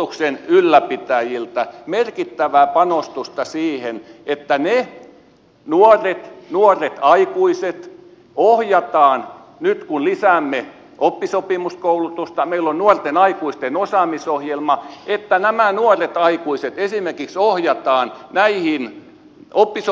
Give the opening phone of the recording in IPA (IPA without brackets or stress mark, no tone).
u